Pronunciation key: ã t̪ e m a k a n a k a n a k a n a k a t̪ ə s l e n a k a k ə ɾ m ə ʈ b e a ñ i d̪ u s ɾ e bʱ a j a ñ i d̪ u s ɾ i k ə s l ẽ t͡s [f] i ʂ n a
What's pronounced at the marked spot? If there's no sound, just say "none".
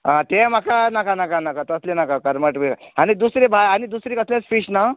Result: f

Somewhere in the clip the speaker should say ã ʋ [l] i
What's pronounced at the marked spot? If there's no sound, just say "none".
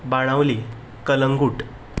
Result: l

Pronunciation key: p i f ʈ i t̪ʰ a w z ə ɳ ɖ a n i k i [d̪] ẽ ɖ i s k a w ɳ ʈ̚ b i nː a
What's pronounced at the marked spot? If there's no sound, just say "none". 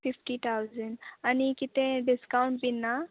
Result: t̪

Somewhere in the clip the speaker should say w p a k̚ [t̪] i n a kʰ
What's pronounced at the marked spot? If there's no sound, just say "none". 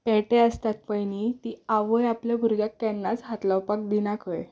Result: d̪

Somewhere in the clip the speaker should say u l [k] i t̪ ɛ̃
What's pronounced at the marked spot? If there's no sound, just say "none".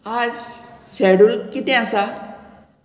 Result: k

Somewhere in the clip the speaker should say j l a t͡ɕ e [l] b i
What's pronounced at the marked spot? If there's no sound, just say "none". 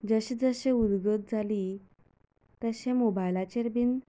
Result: ɾ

